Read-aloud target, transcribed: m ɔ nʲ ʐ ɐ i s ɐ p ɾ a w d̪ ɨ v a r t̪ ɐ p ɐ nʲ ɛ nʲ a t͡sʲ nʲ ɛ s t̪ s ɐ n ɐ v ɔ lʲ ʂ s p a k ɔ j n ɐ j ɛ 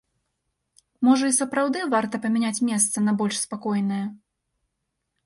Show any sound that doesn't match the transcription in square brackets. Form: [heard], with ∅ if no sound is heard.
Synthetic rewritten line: m ɔ [∅] ʐ ɐ i s ɐ p ɾ a w d̪ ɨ v a r t̪ ɐ p ɐ [mʲ] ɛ nʲ a t͡sʲ [mʲ] ɛ s t̪ s ɐ n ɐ [b] ɔ lʲ ʂ s p a k ɔ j n ɐ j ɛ